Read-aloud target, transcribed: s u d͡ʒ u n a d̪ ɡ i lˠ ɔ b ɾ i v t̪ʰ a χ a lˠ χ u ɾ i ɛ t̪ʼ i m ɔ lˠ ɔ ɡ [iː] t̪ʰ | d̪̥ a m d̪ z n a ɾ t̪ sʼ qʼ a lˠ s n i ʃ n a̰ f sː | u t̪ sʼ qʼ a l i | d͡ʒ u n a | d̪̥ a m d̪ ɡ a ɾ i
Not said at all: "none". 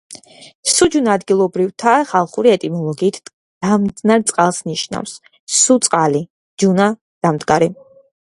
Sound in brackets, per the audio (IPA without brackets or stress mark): iː